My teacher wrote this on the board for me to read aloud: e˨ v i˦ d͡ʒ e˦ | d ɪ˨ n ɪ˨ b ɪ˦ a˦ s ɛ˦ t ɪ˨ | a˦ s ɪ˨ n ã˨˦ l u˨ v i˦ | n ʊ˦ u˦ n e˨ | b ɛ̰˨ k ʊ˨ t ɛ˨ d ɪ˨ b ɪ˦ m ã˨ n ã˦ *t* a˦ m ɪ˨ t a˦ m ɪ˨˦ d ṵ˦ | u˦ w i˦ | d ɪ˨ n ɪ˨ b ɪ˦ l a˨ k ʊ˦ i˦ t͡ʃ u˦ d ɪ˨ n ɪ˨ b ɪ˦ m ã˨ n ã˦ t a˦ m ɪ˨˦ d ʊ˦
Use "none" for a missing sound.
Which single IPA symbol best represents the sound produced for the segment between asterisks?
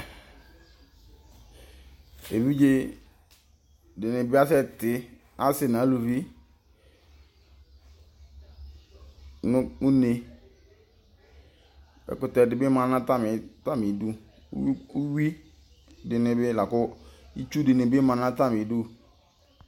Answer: t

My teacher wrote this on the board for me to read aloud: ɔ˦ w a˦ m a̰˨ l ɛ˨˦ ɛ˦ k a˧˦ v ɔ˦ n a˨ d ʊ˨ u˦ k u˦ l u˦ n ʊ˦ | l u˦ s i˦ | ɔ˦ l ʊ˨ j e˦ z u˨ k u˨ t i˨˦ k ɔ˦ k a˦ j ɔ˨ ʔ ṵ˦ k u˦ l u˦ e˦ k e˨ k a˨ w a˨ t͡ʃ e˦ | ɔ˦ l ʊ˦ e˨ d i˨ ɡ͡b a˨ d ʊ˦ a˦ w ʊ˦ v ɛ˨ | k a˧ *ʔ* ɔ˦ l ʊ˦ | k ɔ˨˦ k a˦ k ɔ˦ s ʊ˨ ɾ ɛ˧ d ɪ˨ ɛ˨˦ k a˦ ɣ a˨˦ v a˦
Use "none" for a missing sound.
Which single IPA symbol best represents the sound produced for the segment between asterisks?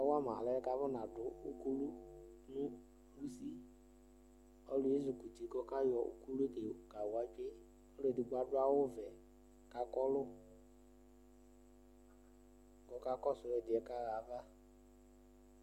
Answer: k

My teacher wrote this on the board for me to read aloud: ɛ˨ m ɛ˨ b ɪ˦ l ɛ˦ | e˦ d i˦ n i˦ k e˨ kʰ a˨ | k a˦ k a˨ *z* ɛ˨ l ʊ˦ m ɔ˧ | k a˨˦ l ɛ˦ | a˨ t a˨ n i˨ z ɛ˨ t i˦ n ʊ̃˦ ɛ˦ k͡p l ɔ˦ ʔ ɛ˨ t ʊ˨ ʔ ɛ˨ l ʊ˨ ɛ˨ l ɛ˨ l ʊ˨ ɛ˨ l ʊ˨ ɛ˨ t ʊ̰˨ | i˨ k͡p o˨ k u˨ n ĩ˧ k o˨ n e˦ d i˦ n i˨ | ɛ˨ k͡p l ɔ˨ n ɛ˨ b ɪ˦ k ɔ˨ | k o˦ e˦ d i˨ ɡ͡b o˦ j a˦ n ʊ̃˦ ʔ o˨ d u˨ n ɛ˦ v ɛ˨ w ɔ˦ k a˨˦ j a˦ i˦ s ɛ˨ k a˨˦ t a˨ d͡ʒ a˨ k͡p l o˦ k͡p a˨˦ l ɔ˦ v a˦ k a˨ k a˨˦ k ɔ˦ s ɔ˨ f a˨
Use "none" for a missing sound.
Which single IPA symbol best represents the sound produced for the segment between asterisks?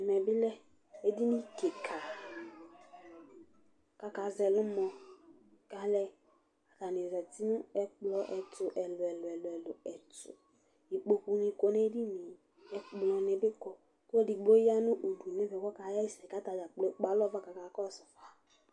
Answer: z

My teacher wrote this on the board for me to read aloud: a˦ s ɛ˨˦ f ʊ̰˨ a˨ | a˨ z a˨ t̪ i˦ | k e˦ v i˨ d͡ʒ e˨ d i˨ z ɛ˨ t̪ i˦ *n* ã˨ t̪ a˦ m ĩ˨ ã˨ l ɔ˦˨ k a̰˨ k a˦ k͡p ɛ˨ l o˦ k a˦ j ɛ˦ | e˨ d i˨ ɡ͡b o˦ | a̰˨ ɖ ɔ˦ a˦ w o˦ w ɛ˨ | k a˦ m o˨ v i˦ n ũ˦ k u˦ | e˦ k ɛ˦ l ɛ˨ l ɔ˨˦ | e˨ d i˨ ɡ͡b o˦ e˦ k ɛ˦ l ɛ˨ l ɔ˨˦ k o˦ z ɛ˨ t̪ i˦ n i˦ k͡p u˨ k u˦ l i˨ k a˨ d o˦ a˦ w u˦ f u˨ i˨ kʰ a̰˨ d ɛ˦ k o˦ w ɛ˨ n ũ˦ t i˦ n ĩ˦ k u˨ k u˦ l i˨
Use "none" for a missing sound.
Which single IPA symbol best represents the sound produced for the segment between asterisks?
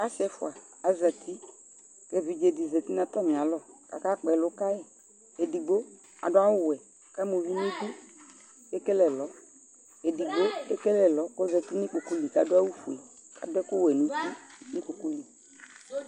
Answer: n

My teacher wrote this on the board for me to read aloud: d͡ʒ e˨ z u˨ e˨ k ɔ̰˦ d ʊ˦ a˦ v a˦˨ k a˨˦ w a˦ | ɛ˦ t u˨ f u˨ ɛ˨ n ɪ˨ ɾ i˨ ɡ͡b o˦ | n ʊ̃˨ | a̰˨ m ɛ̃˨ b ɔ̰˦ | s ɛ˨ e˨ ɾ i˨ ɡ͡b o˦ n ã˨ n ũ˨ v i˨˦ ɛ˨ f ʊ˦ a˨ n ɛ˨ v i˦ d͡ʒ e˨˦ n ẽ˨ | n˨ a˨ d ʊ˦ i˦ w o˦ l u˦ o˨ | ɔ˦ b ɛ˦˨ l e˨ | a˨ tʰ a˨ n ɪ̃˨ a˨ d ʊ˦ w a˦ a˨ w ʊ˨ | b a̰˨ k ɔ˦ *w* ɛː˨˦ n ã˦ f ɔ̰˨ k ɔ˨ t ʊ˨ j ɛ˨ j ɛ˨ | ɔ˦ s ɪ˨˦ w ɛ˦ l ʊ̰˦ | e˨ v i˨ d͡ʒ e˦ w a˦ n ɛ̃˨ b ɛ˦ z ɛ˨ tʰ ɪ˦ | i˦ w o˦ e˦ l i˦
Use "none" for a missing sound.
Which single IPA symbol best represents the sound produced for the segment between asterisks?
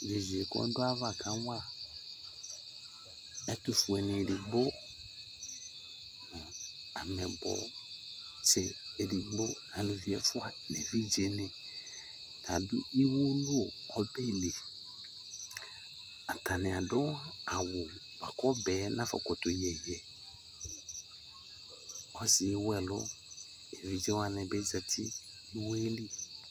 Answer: b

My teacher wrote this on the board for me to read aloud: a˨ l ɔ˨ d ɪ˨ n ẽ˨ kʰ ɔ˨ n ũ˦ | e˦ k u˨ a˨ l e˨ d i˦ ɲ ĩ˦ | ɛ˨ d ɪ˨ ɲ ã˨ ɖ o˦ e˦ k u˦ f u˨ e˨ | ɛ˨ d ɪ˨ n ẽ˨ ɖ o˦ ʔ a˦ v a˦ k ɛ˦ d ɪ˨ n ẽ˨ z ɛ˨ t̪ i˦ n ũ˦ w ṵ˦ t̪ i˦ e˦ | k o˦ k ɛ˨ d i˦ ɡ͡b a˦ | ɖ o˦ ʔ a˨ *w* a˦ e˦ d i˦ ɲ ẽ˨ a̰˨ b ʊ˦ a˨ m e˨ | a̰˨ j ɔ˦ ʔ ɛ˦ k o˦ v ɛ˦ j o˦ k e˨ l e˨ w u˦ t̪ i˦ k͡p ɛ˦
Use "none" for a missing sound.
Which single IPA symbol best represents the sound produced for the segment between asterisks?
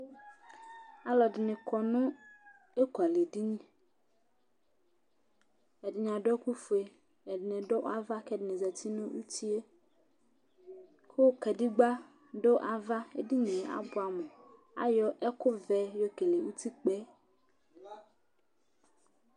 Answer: v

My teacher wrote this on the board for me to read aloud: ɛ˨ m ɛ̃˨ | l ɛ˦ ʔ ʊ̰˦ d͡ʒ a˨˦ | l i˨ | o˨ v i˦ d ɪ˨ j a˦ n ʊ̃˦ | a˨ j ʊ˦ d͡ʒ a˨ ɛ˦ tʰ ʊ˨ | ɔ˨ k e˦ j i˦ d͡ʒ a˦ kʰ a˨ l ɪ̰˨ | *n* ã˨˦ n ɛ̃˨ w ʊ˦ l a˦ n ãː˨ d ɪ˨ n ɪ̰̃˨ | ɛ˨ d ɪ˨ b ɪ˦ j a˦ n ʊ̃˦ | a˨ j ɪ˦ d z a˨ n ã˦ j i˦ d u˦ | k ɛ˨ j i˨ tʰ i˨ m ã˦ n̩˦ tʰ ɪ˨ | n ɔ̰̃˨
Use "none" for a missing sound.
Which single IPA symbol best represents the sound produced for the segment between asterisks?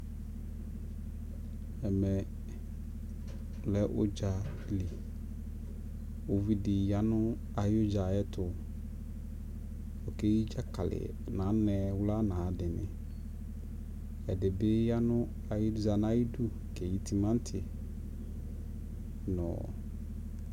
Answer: n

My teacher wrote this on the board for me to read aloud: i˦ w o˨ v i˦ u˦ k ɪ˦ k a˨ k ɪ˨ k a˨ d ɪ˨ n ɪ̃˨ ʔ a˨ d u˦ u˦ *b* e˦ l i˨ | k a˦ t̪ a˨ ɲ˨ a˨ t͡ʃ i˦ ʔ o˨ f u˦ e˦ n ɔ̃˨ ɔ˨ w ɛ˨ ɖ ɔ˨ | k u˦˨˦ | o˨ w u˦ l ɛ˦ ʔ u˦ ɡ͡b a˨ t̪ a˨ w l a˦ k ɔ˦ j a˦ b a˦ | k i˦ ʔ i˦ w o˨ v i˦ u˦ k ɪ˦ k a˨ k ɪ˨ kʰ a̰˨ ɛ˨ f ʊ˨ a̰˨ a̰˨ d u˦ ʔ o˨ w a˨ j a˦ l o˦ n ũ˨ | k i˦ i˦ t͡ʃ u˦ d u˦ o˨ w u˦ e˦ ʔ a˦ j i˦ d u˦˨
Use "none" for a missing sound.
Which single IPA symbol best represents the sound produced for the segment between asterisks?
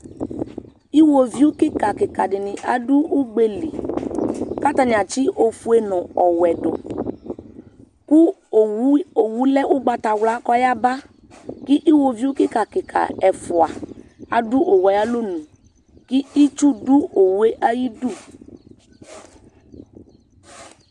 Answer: ɡ͡b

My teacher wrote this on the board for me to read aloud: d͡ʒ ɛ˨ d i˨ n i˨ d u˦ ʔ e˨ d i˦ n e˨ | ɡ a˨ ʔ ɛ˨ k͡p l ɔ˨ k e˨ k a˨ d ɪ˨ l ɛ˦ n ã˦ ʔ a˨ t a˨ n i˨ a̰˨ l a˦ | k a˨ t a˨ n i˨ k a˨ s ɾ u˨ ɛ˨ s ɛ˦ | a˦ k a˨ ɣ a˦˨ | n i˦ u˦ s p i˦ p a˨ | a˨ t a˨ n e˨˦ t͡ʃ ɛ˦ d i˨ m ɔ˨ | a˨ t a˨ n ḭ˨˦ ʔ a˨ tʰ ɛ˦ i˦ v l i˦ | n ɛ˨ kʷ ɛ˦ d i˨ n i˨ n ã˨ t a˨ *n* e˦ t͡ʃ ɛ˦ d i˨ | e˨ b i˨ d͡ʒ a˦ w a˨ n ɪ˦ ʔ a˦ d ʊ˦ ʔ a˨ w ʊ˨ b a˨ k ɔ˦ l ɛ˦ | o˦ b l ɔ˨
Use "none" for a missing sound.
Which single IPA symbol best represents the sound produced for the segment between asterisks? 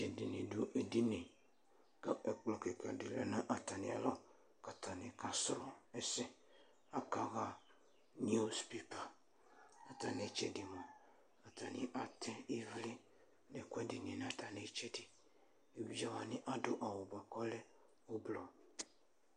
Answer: n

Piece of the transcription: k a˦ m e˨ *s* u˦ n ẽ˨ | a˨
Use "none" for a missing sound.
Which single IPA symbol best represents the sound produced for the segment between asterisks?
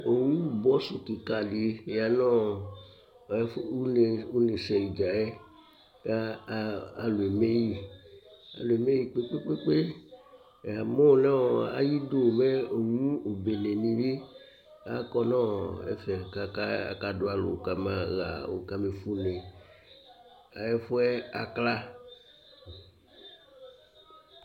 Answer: f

